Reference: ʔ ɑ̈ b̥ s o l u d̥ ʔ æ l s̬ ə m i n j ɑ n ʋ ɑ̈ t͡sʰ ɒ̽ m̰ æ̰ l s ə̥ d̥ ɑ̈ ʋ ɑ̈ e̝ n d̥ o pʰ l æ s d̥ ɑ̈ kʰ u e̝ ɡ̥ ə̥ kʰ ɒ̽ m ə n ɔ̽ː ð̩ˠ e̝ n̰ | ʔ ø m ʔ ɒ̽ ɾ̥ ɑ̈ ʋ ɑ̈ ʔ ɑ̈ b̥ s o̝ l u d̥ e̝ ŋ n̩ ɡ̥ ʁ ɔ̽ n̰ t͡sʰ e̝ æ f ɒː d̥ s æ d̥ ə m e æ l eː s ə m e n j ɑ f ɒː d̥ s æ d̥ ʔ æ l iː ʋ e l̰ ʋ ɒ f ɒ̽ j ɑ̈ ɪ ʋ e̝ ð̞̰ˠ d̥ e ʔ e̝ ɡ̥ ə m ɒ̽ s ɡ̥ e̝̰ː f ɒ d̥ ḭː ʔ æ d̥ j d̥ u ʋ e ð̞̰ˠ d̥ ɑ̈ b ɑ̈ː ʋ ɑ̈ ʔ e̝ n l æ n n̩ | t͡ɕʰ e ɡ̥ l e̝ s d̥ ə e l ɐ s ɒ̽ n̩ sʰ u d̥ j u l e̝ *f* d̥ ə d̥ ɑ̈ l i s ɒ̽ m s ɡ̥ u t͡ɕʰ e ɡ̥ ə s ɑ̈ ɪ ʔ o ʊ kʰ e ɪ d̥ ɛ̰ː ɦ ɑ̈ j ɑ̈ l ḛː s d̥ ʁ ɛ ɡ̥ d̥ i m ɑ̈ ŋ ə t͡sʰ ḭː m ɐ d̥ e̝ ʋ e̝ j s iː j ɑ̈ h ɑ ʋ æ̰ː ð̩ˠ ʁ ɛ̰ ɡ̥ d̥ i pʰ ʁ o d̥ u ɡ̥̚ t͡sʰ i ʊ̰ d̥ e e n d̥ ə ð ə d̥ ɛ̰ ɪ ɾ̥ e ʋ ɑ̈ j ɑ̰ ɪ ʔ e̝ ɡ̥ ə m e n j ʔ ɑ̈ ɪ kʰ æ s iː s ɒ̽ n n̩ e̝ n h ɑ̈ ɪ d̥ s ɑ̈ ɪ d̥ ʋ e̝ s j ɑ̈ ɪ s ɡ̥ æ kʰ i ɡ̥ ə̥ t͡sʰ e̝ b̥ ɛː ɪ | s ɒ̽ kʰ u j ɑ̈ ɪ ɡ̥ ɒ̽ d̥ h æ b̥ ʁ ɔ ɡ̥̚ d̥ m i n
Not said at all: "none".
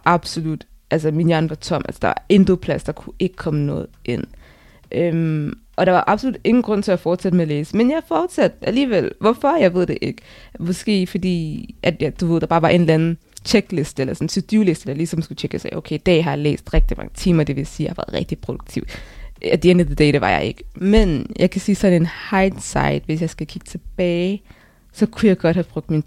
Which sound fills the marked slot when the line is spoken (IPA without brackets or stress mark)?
s